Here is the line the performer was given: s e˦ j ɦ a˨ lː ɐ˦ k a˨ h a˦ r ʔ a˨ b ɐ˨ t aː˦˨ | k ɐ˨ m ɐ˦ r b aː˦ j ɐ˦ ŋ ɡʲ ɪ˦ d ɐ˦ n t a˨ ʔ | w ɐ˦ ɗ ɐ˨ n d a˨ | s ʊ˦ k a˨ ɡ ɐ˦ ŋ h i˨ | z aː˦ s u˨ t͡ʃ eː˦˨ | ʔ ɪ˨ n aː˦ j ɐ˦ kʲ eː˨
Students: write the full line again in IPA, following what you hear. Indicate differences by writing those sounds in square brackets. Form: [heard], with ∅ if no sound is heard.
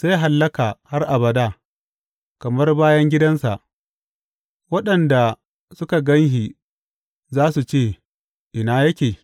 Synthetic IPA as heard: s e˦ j ɦ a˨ lː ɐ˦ k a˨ h a˦ r ʔ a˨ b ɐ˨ [d] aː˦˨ | k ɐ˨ m ɐ˦ r b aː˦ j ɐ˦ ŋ ɡʲ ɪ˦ d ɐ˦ n [s] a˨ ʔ | w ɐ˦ ɗ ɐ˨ n d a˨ | s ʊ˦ k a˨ ɡ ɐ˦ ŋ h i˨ | z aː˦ s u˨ t͡ʃ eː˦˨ | ʔ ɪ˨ n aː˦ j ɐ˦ kʲ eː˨